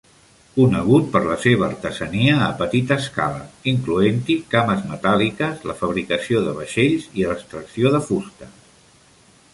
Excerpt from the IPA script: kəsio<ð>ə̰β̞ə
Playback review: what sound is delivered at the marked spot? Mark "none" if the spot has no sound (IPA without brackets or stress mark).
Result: ð